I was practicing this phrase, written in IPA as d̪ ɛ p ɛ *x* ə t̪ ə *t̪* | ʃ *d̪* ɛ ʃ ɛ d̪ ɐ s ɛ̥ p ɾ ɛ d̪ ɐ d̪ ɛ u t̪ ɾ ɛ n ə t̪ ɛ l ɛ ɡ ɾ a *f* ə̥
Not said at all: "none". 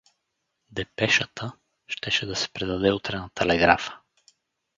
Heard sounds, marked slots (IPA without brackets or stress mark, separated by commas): ʃ, none, t̪, f